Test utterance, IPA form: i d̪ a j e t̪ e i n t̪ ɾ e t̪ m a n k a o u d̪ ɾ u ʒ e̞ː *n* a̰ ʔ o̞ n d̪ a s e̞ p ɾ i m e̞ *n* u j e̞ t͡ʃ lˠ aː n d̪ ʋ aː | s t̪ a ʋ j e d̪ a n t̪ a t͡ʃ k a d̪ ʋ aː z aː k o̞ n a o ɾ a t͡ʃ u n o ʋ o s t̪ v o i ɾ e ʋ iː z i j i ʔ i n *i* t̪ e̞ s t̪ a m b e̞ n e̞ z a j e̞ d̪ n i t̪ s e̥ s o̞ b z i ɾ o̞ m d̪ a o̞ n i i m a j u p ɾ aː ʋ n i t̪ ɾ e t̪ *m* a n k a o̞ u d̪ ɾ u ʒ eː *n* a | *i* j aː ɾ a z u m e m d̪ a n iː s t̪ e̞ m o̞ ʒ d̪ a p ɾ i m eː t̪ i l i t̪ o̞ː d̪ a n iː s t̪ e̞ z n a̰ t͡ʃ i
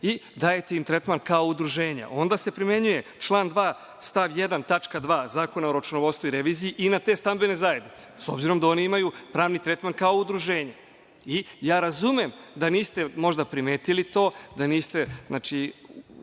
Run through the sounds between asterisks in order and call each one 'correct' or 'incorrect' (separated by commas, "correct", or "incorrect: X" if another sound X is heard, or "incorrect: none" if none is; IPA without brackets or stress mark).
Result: incorrect: ɲ, incorrect: ɲ, incorrect: a, correct, incorrect: ɲ, correct